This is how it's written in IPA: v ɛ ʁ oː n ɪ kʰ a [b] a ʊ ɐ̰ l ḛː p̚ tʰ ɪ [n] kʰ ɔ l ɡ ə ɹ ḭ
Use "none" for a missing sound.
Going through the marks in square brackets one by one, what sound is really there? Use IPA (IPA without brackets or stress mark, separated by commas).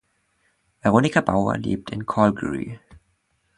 b, n